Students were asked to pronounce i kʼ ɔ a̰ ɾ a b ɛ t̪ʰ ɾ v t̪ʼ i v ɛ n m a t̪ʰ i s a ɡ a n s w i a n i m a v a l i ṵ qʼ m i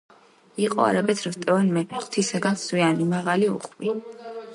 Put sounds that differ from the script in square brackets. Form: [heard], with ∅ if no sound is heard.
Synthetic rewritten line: i [qʼ] ɔ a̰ ɾ a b ɛ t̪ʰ ɾ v t̪ʼ [ɛ] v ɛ n m [ɛ] t̪ʰ i s a ɡ a n s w i a n i m a [ʁ] a l i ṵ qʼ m i